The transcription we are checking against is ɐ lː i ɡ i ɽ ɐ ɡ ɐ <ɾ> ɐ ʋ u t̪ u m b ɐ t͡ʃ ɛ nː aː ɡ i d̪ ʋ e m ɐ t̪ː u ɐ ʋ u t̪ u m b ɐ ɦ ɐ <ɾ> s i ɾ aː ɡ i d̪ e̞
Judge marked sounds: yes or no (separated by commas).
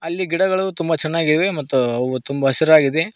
no, no